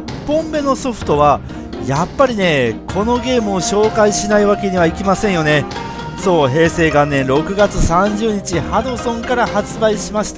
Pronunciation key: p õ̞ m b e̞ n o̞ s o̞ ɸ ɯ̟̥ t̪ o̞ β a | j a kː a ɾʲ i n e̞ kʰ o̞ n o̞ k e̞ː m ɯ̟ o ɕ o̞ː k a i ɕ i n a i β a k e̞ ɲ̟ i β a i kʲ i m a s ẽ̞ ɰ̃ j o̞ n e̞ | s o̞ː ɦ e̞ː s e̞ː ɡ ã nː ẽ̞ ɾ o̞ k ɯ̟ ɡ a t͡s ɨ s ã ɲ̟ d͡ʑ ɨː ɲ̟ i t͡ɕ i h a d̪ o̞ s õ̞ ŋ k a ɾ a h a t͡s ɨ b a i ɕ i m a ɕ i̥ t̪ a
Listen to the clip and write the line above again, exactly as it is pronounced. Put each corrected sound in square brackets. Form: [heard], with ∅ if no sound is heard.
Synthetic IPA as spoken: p õ̞ m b e̞ n o̞ s o̞ ɸ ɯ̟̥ t̪ o̞ β a | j a [pː] a ɾʲ i n e̞ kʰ o̞ n o̞ [ɡ] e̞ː m ɯ̟ o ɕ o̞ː k a i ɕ i n a i β a k e̞ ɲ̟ i β a i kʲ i m a s ẽ̞ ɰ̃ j o̞ n e̞ | s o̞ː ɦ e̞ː s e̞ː ɡ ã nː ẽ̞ ɾ o̞ k ɯ̟ ɡ a t͡s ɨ s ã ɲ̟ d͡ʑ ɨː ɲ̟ i t͡ɕ i h a d̪ o̞ s õ̞ ŋ k a ɾ a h a t͡s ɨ b a i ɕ i m a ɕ i̥ t̪ a